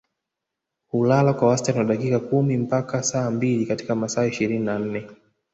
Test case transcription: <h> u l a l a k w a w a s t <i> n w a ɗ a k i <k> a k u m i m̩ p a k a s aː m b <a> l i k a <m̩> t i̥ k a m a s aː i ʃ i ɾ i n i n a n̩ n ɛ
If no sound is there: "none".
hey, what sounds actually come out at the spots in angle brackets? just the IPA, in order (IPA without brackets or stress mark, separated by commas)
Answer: h, a, k, i, none